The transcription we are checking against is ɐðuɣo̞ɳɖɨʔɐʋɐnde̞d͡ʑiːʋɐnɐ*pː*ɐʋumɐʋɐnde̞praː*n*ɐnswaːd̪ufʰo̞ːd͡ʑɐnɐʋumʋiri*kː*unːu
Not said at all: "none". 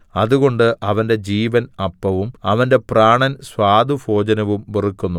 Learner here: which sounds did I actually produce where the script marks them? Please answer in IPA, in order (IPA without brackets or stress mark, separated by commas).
pː, ɳ, kː